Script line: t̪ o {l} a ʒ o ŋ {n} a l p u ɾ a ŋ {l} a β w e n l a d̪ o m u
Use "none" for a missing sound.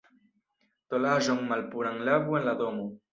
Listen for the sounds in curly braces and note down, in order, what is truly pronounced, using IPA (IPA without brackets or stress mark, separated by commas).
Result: l, m, l